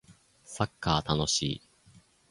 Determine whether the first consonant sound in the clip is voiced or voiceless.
voiceless